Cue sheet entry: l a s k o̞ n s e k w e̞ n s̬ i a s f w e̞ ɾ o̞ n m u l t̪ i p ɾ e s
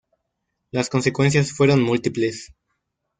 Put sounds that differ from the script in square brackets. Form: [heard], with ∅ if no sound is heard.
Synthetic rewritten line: l a s k o̞ n s e k w e̞ n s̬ [j] a s f w e̞ ɾ o̞ n m u l t̪ i p [l] e s